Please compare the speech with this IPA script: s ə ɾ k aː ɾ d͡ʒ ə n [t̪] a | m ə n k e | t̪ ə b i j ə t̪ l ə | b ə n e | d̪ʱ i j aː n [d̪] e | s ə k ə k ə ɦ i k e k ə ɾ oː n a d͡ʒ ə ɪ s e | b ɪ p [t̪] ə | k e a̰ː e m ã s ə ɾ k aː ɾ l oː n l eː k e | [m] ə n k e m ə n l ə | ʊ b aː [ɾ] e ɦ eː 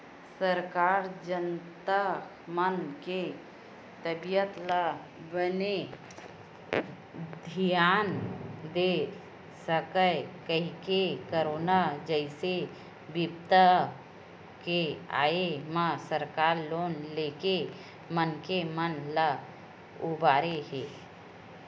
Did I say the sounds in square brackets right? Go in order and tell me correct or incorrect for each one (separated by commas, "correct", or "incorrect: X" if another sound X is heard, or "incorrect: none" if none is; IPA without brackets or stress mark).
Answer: correct, correct, correct, correct, correct